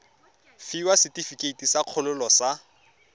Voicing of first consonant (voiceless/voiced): voiceless